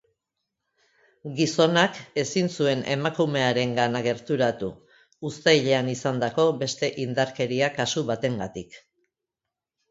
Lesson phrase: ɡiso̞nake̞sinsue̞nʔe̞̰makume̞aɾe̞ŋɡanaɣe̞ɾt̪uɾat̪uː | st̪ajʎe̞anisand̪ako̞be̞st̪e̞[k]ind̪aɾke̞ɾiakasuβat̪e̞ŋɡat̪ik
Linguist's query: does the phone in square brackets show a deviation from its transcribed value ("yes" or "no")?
yes